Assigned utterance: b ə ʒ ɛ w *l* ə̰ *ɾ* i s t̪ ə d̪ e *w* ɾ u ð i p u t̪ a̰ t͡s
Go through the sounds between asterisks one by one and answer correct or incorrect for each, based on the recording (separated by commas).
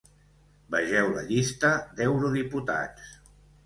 correct, incorrect, correct